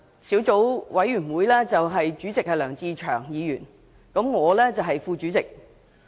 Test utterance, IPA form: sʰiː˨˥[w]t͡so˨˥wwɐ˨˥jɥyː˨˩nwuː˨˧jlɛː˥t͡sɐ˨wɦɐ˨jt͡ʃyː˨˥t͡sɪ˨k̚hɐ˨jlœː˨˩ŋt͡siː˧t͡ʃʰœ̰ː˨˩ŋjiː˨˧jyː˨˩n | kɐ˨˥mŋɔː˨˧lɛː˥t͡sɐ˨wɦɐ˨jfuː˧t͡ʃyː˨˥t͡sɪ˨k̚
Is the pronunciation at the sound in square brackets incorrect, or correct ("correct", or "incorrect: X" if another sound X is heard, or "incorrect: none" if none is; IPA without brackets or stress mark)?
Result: correct